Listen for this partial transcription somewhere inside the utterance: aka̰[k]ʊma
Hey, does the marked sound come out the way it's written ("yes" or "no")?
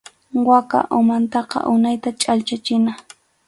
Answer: no